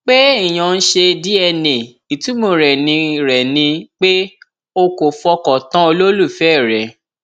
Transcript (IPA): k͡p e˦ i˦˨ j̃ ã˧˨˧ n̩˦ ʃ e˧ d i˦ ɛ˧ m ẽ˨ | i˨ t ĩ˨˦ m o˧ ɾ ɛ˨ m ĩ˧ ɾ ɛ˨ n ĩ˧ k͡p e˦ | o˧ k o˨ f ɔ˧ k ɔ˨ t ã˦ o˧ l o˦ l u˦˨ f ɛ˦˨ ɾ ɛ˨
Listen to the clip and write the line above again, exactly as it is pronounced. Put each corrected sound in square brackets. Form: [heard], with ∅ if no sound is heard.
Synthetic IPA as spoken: k͡p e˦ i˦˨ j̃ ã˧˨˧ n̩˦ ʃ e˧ d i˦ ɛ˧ [n] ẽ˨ | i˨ t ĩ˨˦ m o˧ ɾ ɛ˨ [n] ĩ˧ ɾ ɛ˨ n ĩ˧ k͡p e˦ | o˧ k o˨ f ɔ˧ k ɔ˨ t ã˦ o˧ l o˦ l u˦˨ f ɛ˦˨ ɾ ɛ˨

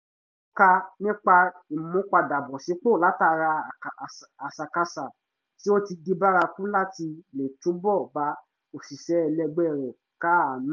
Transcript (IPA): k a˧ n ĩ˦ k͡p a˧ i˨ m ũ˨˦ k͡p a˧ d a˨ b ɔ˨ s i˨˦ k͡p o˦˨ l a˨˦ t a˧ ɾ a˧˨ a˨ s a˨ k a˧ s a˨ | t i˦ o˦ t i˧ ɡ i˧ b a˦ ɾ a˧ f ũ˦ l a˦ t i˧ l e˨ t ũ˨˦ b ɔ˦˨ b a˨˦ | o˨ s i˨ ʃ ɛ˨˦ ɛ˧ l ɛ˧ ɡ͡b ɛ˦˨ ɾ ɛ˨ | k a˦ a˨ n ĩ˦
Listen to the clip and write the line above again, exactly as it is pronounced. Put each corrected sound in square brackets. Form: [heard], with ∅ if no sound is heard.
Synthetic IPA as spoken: k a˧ n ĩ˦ k͡p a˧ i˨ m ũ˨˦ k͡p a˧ d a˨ b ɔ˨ s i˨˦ k͡p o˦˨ l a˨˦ t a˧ ɾ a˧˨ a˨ s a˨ k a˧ s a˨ | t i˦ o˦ t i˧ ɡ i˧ b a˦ ɾ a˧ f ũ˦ l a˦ t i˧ l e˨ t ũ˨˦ b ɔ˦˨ b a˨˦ | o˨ s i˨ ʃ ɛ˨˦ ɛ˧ l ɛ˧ ɡ͡b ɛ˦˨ ɾ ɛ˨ | k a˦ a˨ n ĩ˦

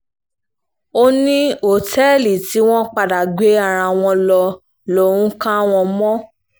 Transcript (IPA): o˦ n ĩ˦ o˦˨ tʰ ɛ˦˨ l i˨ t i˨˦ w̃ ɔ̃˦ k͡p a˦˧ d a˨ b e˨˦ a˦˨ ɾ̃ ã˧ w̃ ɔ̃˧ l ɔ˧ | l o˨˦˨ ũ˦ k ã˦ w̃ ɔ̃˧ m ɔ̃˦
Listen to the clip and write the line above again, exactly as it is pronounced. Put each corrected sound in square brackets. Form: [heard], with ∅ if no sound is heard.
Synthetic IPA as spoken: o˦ n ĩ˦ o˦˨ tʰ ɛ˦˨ l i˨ t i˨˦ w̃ ɔ̃˦ k͡p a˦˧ d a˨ [ɡ͡b] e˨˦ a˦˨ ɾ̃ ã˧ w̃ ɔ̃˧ l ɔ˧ | l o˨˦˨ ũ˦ k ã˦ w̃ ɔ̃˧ m ɔ̃˦

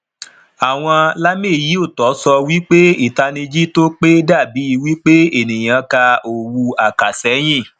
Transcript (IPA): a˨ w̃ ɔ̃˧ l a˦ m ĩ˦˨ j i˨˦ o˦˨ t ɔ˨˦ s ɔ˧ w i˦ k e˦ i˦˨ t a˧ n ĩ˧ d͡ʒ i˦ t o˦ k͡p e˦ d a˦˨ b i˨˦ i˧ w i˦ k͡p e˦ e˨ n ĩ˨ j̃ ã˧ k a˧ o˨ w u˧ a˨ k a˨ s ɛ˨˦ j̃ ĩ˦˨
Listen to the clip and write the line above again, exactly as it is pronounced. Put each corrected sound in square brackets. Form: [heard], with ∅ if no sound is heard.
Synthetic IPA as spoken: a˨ w̃ ɔ̃˧ l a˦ m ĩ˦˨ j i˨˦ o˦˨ t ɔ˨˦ s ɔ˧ w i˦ [k͡p] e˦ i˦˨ t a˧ n ĩ˧ d͡ʒ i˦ t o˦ k͡p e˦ d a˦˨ b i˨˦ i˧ w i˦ k͡p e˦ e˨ n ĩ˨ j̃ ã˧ k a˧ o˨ w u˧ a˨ k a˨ s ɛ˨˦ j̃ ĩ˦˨

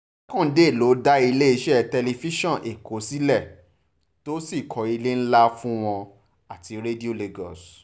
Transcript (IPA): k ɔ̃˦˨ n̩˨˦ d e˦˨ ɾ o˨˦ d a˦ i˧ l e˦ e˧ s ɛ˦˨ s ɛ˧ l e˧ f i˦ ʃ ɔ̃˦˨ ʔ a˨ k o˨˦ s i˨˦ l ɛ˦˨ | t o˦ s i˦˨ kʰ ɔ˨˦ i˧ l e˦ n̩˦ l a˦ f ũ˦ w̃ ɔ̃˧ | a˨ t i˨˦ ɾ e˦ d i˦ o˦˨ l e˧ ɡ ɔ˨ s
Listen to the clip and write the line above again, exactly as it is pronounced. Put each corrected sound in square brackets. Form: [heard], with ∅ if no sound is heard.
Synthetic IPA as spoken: k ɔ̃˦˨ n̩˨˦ d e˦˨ [l] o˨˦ d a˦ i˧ l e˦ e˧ [ʃ] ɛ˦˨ [t] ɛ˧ l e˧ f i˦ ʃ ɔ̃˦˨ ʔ [e˨] k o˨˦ s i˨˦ l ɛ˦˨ | t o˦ s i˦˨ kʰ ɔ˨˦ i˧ l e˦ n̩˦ l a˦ f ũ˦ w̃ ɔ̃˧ | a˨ t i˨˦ ɾ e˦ d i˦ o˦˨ l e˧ ɡ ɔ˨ s

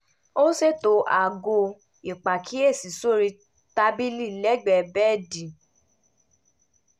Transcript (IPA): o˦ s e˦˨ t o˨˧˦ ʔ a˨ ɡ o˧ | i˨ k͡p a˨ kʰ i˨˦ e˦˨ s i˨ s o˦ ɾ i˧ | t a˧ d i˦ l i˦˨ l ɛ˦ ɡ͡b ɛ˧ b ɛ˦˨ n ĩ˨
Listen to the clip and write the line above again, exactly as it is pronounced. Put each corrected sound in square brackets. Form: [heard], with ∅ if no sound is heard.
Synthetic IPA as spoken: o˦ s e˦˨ t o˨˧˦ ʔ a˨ ɡ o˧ | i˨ k͡p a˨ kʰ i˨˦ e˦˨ s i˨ s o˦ ɾ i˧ | t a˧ [b] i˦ l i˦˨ l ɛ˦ ɡ͡b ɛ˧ b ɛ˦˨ [d] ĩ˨

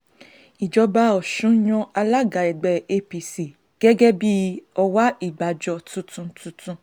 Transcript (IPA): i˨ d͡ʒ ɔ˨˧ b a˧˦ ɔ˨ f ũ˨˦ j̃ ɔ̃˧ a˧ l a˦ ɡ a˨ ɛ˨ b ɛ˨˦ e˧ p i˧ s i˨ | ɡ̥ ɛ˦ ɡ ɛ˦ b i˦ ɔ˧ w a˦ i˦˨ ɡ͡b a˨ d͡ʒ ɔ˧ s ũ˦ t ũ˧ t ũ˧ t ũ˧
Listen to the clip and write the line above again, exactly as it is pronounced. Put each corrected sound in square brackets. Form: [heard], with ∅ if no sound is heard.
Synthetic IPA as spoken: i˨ d͡ʒ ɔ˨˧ b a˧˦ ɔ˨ [ʃ] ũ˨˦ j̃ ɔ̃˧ a˧ l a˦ ɡ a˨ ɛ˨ [ɡ͡b] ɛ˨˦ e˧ p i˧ s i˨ | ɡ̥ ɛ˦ ɡ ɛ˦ b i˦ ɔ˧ w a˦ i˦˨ ɡ͡b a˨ d͡ʒ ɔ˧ [t] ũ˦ t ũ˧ t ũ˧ t ũ˧

